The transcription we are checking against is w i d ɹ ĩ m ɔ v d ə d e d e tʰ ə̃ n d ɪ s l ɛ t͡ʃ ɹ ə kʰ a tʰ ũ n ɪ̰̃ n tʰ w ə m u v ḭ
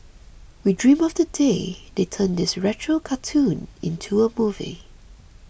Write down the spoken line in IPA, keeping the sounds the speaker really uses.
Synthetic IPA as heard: w i d ɹ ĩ m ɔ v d ə d e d e tʰ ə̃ n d ɪ s ɹ ɛ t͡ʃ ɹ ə kʰ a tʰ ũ n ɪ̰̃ n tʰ u ə m u v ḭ